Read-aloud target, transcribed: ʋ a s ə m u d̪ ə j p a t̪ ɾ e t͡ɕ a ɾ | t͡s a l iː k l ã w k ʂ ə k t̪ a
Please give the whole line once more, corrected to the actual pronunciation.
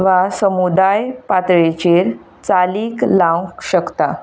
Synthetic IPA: ʋ a s ə m u d̪ a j p a t̪ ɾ e t͡ɕ e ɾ | t͡s a l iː k l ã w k ɕ ə k t̪ a